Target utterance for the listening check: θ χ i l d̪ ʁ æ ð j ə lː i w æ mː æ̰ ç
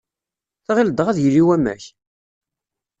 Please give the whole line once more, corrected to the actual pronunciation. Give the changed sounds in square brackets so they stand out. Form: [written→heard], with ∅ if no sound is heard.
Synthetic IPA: θ [χ→ʁ] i l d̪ ʁ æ ð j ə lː i w æ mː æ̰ ç